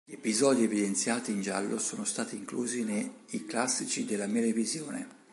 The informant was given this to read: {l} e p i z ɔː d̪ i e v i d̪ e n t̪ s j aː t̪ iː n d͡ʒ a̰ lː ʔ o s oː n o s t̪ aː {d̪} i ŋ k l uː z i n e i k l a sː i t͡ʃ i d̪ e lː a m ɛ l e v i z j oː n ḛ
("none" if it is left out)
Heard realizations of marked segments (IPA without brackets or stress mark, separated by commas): ʎ, t̪